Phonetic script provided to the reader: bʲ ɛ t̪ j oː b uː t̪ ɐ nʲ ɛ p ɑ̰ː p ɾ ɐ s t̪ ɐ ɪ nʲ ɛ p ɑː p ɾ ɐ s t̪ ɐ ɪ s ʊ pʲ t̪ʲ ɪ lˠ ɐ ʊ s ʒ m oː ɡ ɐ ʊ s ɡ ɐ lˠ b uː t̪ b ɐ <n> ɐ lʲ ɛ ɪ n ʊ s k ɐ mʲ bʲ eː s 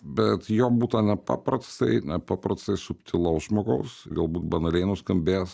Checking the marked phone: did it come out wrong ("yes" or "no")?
no